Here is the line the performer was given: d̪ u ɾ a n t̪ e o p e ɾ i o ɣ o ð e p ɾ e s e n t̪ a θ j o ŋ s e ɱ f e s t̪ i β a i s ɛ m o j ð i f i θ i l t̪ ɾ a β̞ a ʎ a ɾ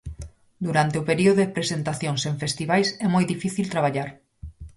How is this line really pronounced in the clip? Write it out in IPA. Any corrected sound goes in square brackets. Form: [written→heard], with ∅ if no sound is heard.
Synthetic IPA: d̪ u ɾ a n t̪ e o p e ɾ i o [ɣ→ð] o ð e p ɾ e s e n t̪ a θ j o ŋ s e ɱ f e s t̪ i β a [i→j] s ɛ m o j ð i f i θ i l t̪ ɾ a β̞ a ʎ a ɾ